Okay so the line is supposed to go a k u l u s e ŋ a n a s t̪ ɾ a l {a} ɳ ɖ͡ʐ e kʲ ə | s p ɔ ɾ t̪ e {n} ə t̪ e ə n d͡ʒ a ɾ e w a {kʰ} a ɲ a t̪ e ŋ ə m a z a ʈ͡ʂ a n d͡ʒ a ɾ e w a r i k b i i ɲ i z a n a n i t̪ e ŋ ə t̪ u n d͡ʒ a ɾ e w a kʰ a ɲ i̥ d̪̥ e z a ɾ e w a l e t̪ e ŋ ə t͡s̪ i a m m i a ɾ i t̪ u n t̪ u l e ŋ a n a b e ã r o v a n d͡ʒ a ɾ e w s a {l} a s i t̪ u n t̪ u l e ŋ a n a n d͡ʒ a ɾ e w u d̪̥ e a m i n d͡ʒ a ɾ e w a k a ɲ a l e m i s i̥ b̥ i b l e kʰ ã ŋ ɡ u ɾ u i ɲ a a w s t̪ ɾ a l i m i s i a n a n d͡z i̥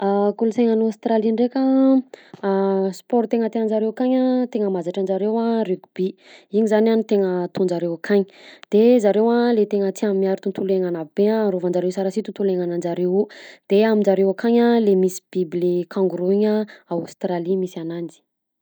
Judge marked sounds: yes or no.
no, no, no, no

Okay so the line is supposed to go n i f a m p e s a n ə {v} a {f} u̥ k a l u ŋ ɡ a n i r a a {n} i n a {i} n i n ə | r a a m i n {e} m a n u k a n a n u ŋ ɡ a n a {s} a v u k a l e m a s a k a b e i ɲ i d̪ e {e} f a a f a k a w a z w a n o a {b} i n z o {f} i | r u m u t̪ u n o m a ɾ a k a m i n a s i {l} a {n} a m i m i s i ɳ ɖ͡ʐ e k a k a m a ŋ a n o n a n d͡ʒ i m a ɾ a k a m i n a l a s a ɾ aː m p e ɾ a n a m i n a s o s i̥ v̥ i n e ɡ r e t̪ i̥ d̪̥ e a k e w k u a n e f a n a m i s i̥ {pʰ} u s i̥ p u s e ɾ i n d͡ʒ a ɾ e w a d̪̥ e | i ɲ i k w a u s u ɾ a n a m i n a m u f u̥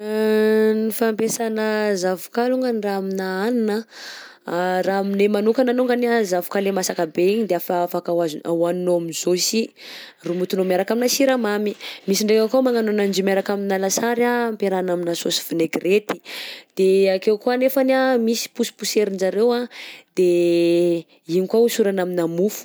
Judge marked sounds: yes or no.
no, no, no, no, yes, no, no, no, no, no, no, no

